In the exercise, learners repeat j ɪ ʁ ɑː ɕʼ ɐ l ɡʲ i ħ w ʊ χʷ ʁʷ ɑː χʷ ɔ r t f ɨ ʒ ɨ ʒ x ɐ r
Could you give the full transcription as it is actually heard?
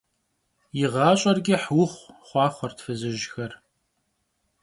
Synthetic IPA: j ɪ ʁ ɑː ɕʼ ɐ r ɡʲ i ħ w ʊ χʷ χʷ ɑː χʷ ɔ r t f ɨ z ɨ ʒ x ɐ r